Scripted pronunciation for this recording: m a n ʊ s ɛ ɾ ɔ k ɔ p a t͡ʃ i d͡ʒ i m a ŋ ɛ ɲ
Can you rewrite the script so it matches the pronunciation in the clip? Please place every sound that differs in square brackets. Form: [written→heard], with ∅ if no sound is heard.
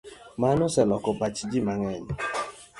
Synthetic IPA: m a n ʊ s ɛ [ɾ→l] ɔ k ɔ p a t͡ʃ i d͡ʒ i m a ŋ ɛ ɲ